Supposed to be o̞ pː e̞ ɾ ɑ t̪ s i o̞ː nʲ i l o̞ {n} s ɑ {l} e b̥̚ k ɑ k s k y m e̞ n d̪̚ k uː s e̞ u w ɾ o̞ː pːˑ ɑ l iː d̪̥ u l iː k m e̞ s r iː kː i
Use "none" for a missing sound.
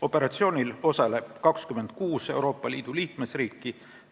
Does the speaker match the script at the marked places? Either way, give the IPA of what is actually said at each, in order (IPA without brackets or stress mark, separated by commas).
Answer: none, l